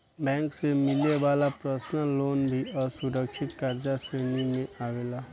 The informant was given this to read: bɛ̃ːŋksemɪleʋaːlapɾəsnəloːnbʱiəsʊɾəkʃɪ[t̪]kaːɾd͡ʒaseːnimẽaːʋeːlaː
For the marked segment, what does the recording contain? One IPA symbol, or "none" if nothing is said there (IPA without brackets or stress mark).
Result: t̪